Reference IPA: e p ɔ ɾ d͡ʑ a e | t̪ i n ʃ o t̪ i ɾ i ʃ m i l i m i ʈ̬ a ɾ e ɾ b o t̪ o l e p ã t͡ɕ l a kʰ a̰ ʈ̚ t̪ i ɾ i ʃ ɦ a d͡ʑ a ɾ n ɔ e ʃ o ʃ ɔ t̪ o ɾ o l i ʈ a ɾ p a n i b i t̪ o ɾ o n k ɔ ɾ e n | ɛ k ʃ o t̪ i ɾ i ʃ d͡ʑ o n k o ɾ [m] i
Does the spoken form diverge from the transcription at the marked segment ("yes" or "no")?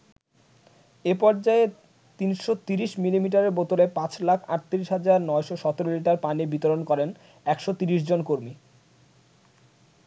no